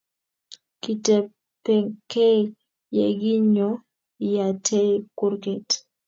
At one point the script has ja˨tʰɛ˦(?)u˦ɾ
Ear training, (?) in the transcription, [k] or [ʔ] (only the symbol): k